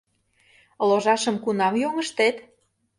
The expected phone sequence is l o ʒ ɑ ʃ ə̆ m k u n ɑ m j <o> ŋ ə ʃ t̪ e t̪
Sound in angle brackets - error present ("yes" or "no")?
no